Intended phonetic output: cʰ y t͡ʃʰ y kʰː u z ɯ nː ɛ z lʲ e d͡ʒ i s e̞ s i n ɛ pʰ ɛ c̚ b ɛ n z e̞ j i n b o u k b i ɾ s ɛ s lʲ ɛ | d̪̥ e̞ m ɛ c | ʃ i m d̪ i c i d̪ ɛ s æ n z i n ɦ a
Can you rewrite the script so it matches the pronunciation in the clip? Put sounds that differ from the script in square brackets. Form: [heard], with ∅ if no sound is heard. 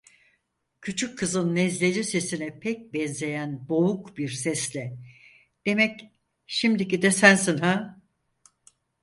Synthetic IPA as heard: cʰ y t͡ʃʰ y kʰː [ɯ] z ɯ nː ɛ z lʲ e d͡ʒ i s e̞ s i n ɛ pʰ ɛ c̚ b ɛ n z e̞ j [æ] n b o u k b i ɾ s ɛ s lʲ ɛ | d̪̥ e̞ m ɛ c | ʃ i m d̪ i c i d̪ ɛ s æ n [s] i n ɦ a